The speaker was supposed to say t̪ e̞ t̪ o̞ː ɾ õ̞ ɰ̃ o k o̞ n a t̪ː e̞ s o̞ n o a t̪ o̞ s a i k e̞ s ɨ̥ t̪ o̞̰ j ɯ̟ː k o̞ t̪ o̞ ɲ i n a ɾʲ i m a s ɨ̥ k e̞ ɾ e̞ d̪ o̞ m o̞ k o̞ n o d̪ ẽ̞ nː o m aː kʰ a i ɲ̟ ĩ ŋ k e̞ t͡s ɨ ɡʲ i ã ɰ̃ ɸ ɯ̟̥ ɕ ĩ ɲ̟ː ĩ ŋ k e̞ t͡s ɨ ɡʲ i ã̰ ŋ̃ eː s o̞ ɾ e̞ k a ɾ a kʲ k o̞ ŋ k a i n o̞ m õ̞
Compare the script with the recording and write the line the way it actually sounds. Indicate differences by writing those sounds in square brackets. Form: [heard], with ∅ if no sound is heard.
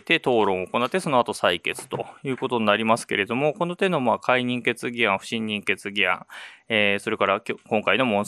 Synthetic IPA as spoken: t̪ e̞ t̪ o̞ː ɾ õ̞ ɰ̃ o k o̞ n a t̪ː e̞ s o̞ n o a t̪ o̞ s a i k e̞ [t͡s] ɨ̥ t̪ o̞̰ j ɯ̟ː k o̞ t̪ o̞ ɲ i n a ɾʲ i m a s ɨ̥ k e̞ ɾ e̞ d̪ o̞ m o̞ k o̞ n o [t̪] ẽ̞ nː o m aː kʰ a i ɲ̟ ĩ ŋ k e̞ t͡s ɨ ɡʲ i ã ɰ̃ ɸ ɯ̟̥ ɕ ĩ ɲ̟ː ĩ ŋ k e̞ t͡s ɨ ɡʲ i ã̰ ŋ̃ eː s o̞ ɾ e̞ k a ɾ a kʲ k [õ̞] ŋ k a i n o̞ m õ̞